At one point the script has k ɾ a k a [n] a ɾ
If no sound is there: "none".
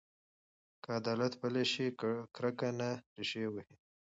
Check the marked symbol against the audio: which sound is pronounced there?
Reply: n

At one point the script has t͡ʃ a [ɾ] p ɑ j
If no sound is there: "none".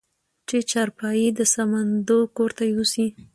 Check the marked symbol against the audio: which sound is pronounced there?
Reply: ɾ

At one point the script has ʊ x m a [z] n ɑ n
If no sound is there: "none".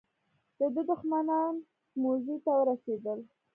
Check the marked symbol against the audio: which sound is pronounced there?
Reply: none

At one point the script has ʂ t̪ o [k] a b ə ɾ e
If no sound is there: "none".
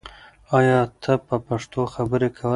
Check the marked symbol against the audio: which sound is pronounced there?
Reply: x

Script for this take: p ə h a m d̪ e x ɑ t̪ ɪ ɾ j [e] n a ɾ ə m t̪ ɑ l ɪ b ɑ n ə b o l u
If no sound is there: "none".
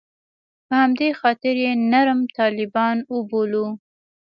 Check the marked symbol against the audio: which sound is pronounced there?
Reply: e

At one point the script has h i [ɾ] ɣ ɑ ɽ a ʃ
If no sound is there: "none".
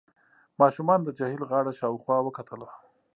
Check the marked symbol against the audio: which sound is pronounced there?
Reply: l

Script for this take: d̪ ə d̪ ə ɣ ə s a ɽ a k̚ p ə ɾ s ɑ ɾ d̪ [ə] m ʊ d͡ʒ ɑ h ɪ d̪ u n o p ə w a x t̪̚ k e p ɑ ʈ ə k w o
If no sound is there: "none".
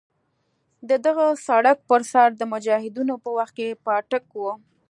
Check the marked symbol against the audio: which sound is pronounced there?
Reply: ə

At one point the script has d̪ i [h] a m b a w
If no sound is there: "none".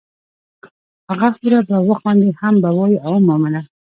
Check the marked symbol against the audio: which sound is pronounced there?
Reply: h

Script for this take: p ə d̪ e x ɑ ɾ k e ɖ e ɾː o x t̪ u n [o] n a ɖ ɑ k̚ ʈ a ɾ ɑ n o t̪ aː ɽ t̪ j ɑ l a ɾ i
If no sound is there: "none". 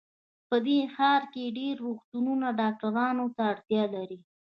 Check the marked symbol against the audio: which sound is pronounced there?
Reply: u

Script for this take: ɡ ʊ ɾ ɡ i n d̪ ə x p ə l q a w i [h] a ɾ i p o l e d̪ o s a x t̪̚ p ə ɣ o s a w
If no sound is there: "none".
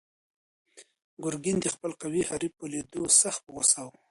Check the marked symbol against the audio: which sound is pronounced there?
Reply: h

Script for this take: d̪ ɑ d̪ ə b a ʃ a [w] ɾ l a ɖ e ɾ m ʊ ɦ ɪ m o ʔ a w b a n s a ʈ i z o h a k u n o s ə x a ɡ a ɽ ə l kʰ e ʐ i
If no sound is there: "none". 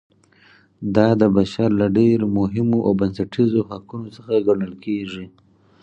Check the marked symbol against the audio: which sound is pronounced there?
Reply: none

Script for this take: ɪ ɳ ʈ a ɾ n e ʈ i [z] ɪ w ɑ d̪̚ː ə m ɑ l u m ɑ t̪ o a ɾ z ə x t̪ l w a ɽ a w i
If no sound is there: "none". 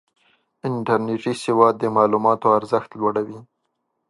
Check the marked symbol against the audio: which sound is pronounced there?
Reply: s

